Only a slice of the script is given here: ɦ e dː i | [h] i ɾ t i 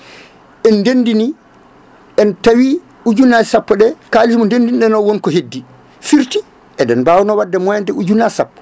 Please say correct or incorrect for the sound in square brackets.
incorrect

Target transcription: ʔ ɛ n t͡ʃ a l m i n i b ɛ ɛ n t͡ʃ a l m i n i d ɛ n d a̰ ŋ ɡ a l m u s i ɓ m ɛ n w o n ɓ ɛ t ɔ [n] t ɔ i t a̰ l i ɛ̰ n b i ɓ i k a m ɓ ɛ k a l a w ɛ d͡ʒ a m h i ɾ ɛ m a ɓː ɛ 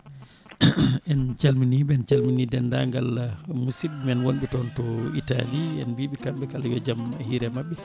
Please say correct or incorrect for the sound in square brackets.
correct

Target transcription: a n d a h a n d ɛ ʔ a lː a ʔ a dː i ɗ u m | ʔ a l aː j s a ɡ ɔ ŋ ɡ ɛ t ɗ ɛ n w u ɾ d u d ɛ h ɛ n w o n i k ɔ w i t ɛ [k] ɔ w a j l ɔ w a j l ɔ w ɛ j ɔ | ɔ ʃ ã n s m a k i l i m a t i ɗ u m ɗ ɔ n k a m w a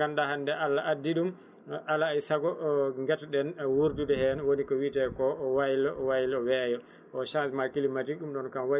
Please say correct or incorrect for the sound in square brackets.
correct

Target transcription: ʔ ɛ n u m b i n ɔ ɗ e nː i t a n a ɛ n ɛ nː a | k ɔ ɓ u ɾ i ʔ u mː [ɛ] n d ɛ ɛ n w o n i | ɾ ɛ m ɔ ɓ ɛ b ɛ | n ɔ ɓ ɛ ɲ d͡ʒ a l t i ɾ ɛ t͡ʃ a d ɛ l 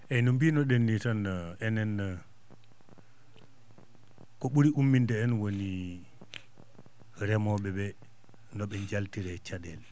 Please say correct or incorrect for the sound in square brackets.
incorrect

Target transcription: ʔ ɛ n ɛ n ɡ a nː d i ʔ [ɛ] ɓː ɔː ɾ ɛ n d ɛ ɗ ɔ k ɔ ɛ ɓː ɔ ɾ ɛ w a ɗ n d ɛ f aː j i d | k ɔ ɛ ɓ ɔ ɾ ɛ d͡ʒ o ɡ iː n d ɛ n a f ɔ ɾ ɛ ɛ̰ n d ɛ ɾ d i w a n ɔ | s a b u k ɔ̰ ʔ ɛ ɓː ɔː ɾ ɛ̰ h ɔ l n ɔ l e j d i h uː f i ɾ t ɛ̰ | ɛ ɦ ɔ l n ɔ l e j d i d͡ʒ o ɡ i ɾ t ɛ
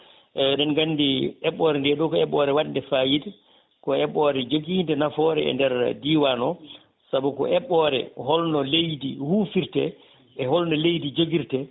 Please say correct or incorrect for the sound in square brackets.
correct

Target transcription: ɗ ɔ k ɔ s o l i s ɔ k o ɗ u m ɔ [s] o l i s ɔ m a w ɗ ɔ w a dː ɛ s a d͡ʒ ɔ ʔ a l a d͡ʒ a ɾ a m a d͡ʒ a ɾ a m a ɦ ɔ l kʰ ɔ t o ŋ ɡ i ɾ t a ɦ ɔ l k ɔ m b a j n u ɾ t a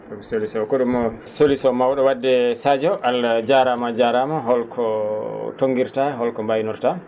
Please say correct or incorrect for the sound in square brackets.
correct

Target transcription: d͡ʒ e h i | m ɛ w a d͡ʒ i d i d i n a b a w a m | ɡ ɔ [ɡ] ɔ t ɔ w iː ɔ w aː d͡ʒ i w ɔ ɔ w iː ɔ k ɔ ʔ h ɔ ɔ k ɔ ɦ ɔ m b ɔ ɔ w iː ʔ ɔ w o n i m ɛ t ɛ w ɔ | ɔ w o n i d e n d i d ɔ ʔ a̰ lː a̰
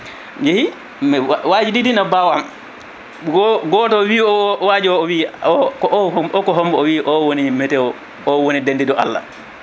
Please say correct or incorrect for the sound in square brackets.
correct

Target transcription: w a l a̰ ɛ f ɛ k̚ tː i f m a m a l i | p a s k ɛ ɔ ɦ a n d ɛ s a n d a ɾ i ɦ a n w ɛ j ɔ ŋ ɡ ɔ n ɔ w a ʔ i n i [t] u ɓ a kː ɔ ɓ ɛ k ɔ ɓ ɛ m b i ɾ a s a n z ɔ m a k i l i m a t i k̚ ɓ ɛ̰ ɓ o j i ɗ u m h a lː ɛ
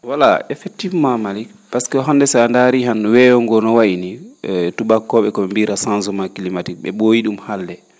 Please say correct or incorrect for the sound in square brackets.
correct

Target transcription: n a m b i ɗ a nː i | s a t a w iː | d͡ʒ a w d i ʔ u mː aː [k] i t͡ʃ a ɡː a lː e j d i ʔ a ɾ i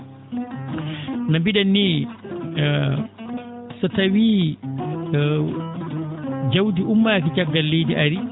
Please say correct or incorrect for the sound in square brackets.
correct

